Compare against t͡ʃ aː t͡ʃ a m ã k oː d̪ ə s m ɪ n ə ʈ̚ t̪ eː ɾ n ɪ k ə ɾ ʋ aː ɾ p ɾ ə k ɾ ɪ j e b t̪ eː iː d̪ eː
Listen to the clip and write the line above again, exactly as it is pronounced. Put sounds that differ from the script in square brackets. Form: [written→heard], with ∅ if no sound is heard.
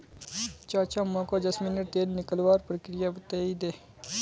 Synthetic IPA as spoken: t͡ʃ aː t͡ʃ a m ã k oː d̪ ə s m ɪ n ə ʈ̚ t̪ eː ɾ n ɪ k ə [ɾ→l] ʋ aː ɾ p ɾ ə k ɾ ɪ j [e→a] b t̪ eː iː d̪ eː